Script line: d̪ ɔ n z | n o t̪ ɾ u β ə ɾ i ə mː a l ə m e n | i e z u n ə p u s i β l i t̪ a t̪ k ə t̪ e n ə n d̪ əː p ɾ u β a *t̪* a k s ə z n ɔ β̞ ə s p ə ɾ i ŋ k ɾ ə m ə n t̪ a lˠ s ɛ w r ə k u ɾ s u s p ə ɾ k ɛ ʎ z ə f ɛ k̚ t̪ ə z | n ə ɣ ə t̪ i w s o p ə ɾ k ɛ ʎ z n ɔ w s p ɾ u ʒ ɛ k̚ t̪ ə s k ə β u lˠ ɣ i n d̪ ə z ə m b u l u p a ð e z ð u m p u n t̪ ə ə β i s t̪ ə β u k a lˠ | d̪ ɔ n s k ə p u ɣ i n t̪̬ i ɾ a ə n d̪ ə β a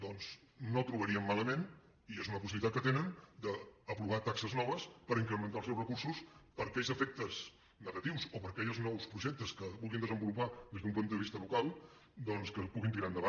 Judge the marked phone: correct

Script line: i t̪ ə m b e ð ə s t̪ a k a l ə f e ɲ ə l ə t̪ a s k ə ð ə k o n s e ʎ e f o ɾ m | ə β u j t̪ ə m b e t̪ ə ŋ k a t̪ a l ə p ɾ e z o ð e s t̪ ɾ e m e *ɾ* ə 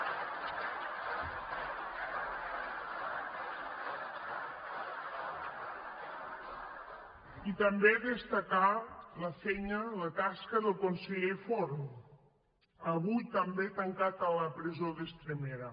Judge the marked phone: correct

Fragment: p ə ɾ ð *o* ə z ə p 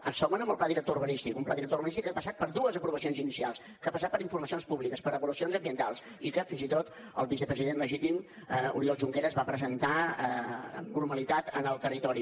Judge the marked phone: incorrect: u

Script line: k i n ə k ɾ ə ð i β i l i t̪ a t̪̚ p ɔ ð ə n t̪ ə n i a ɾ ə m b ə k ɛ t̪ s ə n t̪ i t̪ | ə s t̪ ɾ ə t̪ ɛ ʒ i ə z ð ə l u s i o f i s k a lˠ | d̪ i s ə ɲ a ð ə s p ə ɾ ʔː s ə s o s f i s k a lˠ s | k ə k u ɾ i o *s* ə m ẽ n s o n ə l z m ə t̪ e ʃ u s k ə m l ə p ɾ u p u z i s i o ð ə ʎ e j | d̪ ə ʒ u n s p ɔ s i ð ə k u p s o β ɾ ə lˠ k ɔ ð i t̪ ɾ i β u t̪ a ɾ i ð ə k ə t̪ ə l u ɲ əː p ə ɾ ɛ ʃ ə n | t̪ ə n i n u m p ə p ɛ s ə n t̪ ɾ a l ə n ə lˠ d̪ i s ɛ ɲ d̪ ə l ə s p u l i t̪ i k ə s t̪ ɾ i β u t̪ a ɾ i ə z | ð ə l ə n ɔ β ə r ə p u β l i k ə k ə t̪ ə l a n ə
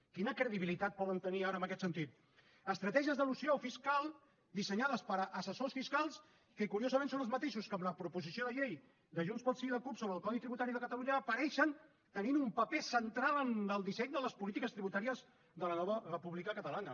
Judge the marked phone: incorrect: z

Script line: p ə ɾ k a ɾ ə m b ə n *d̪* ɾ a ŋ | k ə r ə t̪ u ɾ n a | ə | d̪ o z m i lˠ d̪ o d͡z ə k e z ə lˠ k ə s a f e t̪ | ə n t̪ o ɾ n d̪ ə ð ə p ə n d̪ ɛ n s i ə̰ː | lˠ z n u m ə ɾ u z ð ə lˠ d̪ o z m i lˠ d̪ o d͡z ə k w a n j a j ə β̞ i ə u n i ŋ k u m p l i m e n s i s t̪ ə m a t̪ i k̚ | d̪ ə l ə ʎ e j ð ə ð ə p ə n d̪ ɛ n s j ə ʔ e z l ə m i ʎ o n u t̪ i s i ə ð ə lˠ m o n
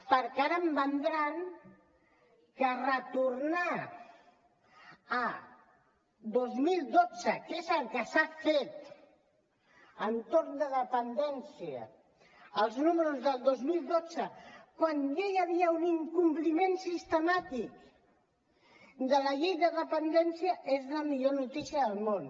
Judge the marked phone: correct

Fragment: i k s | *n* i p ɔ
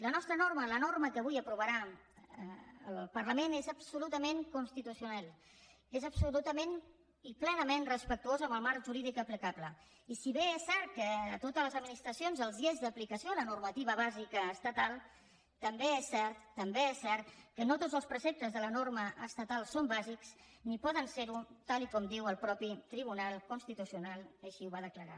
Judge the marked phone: correct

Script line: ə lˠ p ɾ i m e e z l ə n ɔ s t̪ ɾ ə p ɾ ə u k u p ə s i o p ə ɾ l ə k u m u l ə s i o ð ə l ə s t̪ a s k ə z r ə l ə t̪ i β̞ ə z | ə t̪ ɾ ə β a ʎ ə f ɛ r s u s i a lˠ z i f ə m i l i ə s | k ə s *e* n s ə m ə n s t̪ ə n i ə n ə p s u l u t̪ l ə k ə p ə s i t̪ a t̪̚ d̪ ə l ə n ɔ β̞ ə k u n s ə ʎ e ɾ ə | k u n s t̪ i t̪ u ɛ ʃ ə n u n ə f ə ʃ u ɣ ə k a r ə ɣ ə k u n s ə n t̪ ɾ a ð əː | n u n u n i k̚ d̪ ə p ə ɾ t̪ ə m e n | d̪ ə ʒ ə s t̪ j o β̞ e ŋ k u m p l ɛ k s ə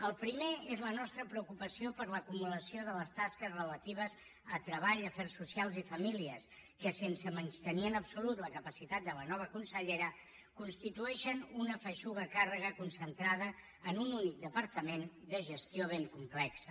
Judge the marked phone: correct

